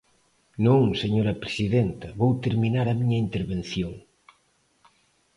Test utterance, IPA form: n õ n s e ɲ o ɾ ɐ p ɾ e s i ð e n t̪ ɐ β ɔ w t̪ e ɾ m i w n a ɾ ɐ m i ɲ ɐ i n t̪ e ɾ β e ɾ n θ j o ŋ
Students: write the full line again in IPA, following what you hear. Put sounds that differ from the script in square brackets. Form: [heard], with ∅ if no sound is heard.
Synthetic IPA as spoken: n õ [ŋ] s e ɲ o ɾ ɐ p ɾ e s i ð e n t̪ ɐ β [o] w t̪ e ɾ m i [∅] n a ɾ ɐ m i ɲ ɐ i n t̪ e ɾ β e [∅] n θ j o ŋ